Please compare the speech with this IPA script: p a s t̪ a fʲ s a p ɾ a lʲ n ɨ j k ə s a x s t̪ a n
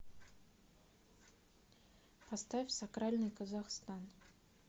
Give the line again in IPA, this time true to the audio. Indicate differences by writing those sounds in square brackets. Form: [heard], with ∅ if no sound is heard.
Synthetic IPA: p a s t̪ a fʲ s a [k] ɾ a lʲ n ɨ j k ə [z] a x s t̪ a n

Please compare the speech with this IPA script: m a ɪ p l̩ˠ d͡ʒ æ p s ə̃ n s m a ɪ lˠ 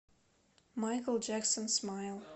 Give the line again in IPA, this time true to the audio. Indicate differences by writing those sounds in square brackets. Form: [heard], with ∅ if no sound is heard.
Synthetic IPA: m a ɪ [k] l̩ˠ d͡ʒ æ [k] s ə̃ n s m a ɪ lˠ

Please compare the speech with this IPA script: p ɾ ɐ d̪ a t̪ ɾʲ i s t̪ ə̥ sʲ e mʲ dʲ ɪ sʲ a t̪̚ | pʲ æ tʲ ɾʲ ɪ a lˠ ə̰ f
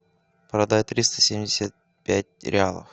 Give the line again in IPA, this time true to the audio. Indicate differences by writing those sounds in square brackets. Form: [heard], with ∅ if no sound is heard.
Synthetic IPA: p ɾ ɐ d̪ a t̪ ɾʲ i s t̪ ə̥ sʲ e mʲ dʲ ɪ sʲ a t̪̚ | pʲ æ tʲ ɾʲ ɪ a lˠ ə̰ f

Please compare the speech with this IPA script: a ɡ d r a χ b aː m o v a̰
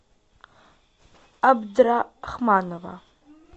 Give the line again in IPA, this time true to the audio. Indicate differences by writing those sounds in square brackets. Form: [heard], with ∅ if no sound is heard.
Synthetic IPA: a [b] d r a χ [m] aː [n] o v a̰

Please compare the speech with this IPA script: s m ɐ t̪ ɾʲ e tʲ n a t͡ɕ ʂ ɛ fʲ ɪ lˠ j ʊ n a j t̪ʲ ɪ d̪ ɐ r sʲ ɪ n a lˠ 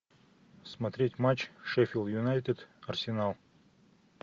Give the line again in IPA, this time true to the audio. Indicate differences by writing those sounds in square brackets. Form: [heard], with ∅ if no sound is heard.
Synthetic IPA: s m ɐ t̪ ɾʲ e tʲ [m] a t͡ɕ ʂ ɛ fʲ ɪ lˠ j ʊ n a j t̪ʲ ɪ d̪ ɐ r sʲ ɪ n a lˠ

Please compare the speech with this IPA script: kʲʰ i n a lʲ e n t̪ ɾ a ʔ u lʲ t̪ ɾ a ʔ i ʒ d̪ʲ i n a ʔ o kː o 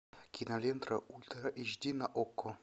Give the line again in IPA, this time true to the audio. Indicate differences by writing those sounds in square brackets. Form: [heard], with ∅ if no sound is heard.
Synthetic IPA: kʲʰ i n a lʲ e n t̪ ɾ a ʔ u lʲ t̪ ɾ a ʔ i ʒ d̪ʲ i n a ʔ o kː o

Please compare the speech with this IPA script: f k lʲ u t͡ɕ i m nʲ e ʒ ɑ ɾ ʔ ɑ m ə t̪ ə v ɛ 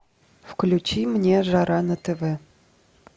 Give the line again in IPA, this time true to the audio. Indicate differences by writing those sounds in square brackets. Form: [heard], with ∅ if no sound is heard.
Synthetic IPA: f k lʲ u t͡ɕ i m nʲ e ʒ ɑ ɾ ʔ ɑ [n] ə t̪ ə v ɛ

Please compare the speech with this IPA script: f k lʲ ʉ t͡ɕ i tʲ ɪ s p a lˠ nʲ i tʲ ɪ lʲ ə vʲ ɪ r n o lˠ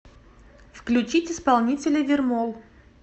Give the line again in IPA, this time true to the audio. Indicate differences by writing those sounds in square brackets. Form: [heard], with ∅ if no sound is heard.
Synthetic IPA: f k lʲ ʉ t͡ɕ i tʲ ɪ s p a lˠ nʲ i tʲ ɪ lʲ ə vʲ ɪ r [m] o lˠ

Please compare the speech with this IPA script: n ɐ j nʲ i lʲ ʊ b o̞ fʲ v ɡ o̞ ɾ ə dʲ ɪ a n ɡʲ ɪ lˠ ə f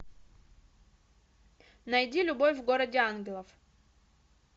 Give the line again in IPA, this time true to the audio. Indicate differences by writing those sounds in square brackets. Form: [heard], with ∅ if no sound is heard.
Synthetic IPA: n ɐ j [dʲ] i lʲ ʊ b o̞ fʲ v ɡ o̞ ɾ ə dʲ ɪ a n ɡʲ ɪ lˠ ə f

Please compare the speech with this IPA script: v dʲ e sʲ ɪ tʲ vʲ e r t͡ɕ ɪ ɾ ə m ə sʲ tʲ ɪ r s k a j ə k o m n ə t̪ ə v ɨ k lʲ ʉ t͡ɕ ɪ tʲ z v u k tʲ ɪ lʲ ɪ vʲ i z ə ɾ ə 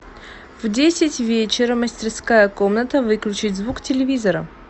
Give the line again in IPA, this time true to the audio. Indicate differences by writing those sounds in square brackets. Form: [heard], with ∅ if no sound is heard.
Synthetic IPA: v dʲ e sʲ ɪ tʲ vʲ e [∅] t͡ɕ ɪ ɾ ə m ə sʲ tʲ ɪ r s k a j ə k o m n ə t̪ ə v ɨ k lʲ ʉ t͡ɕ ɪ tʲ z v u k tʲ ɪ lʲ ɪ vʲ i z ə ɾ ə

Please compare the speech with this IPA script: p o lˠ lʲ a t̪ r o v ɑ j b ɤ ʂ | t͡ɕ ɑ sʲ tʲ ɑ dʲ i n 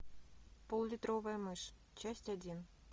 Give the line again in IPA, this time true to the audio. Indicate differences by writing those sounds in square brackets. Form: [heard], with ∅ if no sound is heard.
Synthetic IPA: p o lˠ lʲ [i] t̪ r o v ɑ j [m] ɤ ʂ | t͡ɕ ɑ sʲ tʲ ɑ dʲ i n

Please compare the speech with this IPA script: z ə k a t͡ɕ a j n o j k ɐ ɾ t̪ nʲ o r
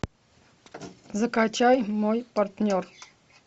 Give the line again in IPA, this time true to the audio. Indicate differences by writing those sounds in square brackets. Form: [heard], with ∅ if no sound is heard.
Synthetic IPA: z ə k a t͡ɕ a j [m] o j [p] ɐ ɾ t̪ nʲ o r

